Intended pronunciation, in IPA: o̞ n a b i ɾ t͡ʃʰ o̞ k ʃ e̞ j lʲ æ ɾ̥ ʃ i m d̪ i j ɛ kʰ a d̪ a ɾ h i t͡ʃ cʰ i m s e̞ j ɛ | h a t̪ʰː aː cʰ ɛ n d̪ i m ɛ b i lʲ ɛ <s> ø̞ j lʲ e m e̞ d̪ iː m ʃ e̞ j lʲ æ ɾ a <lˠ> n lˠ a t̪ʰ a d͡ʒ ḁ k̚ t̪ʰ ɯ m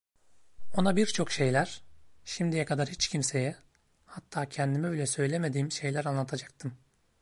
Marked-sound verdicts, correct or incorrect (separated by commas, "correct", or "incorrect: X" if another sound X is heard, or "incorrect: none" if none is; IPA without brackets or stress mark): correct, incorrect: none